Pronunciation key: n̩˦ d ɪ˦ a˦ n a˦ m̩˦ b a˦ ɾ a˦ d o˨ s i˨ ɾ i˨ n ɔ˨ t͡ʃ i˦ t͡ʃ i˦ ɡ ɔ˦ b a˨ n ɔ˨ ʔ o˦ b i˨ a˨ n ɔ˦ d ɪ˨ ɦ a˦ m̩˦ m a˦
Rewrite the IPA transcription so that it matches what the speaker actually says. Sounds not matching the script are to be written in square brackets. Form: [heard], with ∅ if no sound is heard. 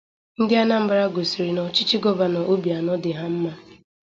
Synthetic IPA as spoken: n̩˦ d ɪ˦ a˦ n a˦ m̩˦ b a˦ ɾ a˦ [ɡ] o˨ s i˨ ɾ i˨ n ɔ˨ t͡ʃ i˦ t͡ʃ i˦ ɡ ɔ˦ b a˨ n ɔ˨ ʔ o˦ b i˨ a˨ n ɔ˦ d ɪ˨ ɦ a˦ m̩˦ m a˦